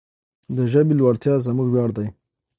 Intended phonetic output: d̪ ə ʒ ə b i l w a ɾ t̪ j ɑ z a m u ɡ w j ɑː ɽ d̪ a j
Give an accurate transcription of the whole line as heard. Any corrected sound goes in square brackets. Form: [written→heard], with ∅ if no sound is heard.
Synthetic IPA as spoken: d̪ ə ʒ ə b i l w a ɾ t̪ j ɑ z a m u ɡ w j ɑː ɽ d̪ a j